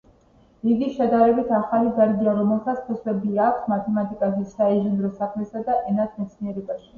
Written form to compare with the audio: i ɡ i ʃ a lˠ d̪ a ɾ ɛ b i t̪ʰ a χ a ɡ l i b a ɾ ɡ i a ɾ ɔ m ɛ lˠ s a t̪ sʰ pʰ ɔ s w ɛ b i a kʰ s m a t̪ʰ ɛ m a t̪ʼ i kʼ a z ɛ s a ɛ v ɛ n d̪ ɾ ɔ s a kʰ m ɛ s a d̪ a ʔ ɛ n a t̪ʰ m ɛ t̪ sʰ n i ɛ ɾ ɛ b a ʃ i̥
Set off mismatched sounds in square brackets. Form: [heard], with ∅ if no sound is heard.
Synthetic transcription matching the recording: i ɡ i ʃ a [∅] d̪ a ɾ ɛ b i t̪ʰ a χ a [∅] l i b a ɾ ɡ i a ɾ ɔ m ɛ lˠ s a t̪ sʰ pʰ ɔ s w ɛ b i a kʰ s m a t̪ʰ ɛ m a t̪ʼ i kʼ a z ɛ s a ɛ [ʒ] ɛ n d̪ ɾ ɔ s a kʰ m ɛ s a d̪ a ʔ ɛ n a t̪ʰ m ɛ t̪ sʰ n i ɛ ɾ ɛ b a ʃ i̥